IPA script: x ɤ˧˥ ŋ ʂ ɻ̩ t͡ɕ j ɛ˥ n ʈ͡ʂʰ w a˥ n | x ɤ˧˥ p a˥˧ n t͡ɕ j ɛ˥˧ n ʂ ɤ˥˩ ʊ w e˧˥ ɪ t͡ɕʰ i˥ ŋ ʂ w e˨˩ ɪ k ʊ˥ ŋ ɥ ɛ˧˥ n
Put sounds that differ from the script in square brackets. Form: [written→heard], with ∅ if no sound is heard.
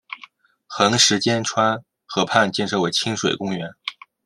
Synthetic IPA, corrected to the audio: x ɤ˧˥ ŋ ʂ ɻ̩ t͡ɕ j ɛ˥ n ʈ͡ʂʰ w a˥ n | x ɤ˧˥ [p→pʰ] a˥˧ n t͡ɕ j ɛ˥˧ n ʂ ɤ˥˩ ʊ w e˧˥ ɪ t͡ɕʰ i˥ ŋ ʂ w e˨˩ ɪ k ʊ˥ ŋ ɥ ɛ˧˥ n